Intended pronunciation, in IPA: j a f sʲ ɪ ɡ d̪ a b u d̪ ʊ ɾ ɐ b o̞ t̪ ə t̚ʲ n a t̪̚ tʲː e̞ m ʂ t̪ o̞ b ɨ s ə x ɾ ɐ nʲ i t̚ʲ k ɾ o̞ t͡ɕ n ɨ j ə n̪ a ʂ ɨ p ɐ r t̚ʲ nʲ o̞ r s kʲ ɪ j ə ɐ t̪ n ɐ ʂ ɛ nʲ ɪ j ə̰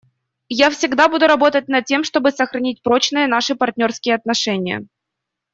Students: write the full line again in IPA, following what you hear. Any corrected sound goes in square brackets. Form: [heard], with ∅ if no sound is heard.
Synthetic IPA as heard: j a f sʲ ɪ ɡ d̪ a b u d̪ ʊ ɾ ɐ b o̞ t̪ ə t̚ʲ n [ɐ] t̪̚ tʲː e̞ m ʂ t̪ o̞ b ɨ s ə x ɾ ɐ nʲ i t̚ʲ [p] ɾ o̞ t͡ɕ n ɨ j ə n̪ a ʂ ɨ p ɐ r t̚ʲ nʲ o̞ r s kʲ ɪ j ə ɐ t̪ n ɐ ʂ ɛ nʲ ɪ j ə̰